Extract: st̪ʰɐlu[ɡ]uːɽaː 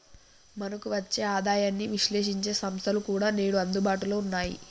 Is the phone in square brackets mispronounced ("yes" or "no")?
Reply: yes